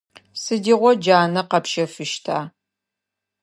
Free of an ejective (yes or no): yes